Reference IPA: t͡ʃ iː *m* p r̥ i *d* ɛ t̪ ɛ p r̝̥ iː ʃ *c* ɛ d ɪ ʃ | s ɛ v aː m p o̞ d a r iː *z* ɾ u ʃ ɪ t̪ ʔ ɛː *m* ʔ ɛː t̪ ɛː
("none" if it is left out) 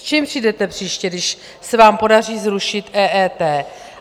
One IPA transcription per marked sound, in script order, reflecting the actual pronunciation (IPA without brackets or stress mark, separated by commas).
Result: m, d, c, z, none